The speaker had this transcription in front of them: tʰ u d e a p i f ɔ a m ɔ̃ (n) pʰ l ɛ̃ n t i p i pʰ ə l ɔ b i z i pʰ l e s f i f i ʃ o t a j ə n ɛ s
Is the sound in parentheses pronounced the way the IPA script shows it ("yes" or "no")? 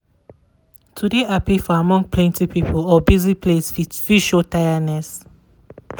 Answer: no